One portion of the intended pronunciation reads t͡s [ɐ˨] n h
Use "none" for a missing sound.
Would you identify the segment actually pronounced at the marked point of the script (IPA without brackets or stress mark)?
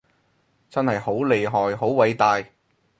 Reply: ɐ˥